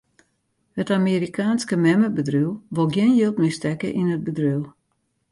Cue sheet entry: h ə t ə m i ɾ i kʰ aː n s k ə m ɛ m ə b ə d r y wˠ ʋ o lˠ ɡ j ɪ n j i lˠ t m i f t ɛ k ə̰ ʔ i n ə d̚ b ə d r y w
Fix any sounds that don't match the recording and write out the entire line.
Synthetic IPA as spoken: h ə t a m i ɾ i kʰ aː n s k ə m ɛ m ə b ə d r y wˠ ʋ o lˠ ɡ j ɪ n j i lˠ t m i s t ɛ k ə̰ ʔ i n ə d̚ b ə d r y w